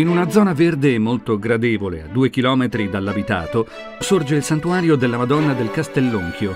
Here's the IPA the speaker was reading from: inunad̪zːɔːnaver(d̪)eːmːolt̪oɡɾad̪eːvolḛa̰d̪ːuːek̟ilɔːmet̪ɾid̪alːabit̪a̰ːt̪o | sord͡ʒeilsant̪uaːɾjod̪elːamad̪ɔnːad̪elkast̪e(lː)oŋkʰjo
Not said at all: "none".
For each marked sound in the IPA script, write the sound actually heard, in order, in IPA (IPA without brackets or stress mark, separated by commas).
d̪, lː